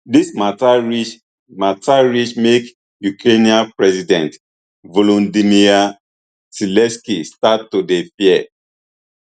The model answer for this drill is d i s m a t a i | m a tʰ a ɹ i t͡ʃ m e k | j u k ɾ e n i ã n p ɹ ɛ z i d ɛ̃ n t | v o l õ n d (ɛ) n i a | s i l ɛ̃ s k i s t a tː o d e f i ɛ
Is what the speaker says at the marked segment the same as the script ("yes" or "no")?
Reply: no